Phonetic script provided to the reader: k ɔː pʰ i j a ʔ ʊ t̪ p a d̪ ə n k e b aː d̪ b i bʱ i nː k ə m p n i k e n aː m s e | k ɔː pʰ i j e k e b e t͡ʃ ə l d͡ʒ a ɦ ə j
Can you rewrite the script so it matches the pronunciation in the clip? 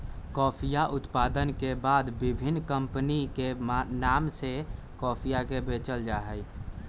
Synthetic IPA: k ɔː pʰ i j a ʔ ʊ t̪ p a d̪ ə n k e b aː d̪ b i bʱ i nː k ə m p n i k e n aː m s e | k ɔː pʰ i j a k e b e t͡ʃ ə l d͡ʒ a ɦ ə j

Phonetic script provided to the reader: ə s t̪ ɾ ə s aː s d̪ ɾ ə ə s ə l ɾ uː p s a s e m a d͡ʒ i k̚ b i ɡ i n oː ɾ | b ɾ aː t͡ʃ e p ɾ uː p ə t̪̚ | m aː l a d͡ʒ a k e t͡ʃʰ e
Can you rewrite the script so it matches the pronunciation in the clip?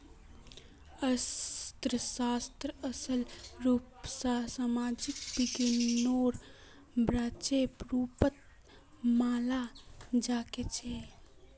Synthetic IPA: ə s t̪ ɾ ə s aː s t̪ ɾ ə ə s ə l ɾ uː p s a s a m a d͡ʒ i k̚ b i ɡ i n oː ɾ | b ɾ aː t͡ʃ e p ɾ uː p ə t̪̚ | m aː l a d͡ʒ a k e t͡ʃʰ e

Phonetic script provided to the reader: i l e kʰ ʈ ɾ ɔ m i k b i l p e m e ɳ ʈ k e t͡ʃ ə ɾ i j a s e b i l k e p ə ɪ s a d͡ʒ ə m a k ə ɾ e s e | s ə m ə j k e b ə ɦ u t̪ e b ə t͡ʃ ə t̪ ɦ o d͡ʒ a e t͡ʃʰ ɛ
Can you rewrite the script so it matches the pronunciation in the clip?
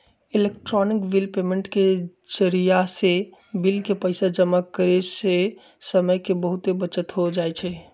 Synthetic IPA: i l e k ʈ ɾ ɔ n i k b i l p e m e ɳ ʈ k e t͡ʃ ə ɾ i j a s e b i l k e p ə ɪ s a d͡ʒ ə m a k ə ɾ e s e | s ə m ə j k e b ə ɦ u t̪ e b ə t͡ʃ ə t̪ ɦ o d͡ʒ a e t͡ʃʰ ɛ

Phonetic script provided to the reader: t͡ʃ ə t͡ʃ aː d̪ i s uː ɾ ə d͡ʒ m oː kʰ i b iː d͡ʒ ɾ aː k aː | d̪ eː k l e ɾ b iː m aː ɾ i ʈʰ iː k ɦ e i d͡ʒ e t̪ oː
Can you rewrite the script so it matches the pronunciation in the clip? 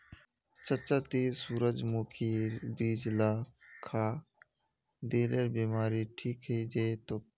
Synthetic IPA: t͡ʃ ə t͡ʃ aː t̪ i s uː ɾ ə d͡ʒ m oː kʰ i b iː d͡ʒ l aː kʰ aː | d̪ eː l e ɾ b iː m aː ɾ i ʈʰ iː k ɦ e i d͡ʒ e t̪ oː

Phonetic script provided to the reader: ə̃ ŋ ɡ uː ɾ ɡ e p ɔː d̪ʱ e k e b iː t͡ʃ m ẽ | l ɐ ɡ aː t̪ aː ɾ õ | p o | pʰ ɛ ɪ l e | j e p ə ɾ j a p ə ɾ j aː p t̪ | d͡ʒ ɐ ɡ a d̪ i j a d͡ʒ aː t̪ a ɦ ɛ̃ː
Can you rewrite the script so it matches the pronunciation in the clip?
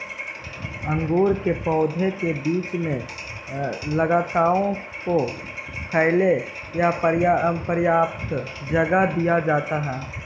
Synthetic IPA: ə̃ ŋ ɡ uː ɾ k e p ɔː d̪ʱ e k e b iː t͡ʃ m ẽ | l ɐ ɡ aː t̪ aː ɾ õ | k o | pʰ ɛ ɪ l e | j a p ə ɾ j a p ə ɾ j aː p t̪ | d͡ʒ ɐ ɡ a d̪ i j a d͡ʒ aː t̪ a ɦ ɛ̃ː

